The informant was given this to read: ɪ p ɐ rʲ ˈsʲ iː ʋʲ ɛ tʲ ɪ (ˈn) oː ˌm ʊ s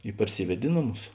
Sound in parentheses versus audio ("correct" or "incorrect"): correct